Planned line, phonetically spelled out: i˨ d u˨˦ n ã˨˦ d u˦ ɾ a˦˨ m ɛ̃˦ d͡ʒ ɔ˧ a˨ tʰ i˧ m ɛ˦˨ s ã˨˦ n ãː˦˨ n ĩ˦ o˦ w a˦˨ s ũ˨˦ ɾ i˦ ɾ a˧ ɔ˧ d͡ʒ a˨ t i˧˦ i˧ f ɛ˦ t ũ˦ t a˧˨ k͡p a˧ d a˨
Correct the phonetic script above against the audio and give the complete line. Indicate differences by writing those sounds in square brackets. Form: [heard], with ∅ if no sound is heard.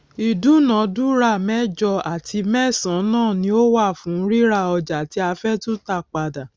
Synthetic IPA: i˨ d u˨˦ n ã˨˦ d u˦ ɾ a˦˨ m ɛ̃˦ d͡ʒ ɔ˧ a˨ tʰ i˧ m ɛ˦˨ s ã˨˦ n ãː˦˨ n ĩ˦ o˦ w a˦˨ [f] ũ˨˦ ɾ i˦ ɾ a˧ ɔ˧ d͡ʒ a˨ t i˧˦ [a˧] f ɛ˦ t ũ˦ t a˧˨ k͡p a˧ d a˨